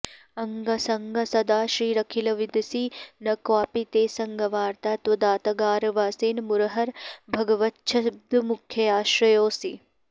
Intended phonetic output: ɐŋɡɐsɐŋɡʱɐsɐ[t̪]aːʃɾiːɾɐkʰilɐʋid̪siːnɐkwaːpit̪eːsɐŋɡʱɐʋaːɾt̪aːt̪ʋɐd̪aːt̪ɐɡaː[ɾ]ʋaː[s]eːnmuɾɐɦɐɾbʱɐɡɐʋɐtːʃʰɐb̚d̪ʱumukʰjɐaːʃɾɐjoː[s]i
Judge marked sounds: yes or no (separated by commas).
no, yes, yes, yes